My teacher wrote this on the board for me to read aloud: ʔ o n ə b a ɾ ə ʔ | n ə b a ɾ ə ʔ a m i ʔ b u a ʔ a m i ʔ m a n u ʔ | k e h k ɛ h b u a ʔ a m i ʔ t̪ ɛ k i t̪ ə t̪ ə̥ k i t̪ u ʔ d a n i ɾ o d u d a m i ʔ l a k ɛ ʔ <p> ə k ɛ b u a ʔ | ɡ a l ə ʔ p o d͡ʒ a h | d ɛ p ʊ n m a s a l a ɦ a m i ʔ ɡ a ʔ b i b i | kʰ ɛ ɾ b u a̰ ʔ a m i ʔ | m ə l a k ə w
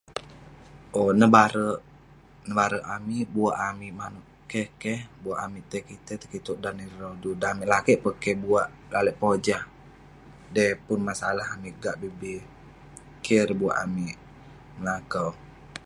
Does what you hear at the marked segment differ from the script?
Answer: no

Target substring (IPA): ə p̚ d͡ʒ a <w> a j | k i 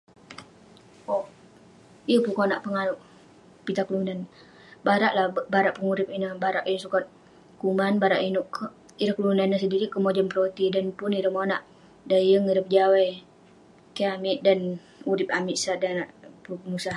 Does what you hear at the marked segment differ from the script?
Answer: no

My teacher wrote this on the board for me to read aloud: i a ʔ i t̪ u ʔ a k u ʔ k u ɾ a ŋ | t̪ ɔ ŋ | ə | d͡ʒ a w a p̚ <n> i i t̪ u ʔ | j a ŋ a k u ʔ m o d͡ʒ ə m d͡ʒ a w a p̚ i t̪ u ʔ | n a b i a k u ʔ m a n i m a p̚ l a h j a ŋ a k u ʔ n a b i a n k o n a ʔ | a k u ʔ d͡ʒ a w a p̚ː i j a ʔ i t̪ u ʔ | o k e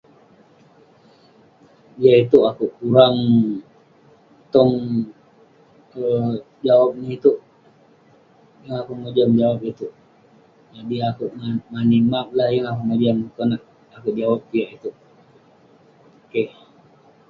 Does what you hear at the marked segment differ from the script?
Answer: no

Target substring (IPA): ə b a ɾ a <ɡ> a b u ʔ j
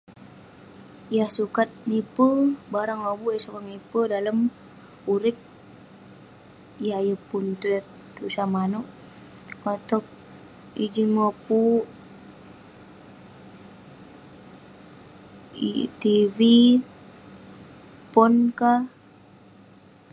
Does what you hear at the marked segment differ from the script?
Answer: yes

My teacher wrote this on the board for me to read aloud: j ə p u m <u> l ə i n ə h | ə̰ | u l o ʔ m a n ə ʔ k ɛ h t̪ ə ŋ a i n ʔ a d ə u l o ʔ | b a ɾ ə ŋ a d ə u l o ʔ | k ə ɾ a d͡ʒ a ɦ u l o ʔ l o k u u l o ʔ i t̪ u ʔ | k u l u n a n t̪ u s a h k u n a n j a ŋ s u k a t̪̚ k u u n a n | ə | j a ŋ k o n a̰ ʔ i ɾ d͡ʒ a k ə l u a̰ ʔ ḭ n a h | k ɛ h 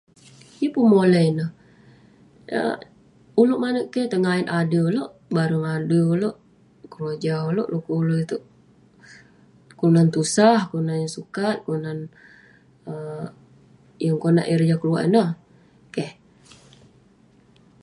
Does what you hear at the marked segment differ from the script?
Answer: yes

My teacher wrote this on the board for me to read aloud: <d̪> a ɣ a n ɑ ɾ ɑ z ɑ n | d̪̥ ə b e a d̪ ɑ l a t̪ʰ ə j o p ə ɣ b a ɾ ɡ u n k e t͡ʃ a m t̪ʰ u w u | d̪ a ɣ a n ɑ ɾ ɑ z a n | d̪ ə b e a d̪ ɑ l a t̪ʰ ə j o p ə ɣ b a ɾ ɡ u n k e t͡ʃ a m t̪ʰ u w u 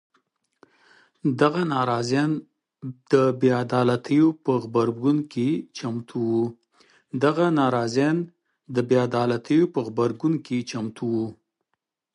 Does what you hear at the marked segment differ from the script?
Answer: no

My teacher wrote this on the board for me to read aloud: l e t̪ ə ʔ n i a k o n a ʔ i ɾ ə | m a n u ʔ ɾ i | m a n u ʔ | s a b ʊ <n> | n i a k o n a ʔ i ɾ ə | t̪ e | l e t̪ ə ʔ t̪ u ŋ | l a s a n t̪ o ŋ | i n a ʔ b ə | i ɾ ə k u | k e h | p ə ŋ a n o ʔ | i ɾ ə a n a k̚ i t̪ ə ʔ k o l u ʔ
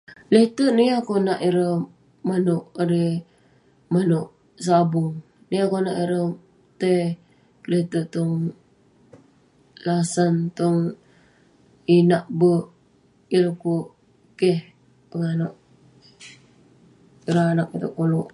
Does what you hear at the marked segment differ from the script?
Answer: yes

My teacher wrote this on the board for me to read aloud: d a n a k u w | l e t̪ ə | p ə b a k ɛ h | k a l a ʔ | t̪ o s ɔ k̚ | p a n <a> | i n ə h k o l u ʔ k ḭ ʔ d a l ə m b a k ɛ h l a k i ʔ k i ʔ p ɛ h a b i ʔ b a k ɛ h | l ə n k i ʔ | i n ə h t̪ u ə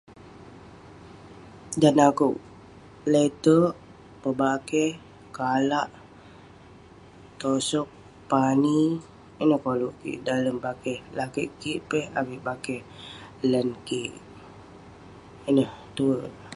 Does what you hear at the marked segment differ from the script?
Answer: yes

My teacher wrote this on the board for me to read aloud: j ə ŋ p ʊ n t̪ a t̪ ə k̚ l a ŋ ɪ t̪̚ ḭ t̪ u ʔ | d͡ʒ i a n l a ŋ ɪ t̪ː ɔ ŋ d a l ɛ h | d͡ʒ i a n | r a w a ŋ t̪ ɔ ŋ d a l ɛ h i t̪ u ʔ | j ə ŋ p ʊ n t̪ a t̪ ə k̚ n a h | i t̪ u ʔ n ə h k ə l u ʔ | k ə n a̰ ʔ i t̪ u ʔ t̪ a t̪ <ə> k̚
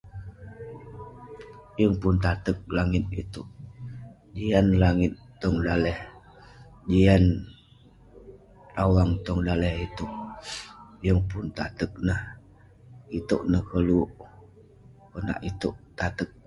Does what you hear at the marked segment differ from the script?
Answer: no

